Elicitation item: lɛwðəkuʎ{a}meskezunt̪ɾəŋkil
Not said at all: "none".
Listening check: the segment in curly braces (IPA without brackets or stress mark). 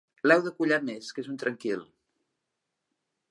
a